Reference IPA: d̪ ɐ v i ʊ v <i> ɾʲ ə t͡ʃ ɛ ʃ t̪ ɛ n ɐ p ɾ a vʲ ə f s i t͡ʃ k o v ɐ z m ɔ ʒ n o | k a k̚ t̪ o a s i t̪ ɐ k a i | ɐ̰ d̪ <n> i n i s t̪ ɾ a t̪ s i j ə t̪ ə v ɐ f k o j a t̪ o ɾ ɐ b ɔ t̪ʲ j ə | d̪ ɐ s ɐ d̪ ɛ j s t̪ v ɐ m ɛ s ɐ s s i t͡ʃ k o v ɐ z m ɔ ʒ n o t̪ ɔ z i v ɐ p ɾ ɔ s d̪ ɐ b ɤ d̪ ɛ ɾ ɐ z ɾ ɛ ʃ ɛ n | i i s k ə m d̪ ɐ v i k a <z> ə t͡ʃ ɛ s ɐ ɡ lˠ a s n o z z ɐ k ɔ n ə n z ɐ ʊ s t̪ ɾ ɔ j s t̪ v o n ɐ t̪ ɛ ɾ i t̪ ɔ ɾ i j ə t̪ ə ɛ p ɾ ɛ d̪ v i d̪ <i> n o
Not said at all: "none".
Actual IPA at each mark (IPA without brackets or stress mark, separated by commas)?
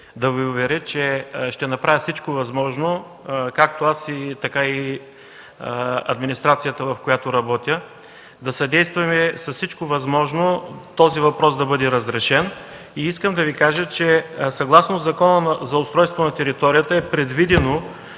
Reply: ɛ, m, ʒ, ɛ